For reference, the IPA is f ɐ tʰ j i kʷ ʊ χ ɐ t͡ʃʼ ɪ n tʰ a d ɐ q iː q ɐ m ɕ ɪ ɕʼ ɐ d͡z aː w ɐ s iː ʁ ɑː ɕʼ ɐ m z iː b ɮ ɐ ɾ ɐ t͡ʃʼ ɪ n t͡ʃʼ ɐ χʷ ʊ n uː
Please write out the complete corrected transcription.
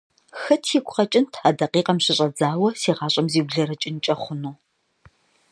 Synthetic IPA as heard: x ɐ tʰ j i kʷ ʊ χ ɐ t͡ʃʼ ɪ n tʰ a d ɐ q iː q ɐ m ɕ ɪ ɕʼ ɐ d͡z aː w ɐ s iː ʁ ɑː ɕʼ ɐ m z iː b ɮ ɐ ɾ ɐ t͡ʃʼ ɪ n t͡ʃʼ ɐ χʷ ʊ n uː